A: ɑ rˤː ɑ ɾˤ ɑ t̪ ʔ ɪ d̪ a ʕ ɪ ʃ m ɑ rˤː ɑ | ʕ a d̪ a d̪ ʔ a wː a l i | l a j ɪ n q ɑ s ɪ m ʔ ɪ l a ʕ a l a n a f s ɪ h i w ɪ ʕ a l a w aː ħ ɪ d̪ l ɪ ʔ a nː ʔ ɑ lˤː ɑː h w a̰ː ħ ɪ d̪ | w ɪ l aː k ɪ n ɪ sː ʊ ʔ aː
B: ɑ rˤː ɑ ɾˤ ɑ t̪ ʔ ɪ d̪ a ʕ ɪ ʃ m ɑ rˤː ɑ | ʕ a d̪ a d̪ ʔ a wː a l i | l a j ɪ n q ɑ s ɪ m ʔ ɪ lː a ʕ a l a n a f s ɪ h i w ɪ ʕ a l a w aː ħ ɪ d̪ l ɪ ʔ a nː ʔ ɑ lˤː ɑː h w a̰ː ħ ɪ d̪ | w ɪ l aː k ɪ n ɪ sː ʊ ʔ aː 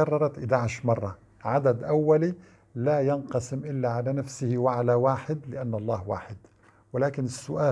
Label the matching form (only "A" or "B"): B